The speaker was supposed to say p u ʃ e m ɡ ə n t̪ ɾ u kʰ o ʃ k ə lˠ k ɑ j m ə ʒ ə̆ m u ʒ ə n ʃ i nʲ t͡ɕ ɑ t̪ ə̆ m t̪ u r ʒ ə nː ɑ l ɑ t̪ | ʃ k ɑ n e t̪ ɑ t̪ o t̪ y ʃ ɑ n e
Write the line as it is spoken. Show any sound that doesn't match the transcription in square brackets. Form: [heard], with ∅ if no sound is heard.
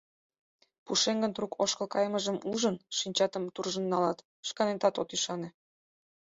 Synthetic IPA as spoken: p u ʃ e [ŋ] ɡ ə n t̪ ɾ u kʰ o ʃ k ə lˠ k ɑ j m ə ʒ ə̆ m u ʒ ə n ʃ i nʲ t͡ɕ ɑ t̪ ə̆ m t̪ u r ʒ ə nː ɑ l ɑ t̪ | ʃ k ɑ n e t̪ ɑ t̪ o t̪ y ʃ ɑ n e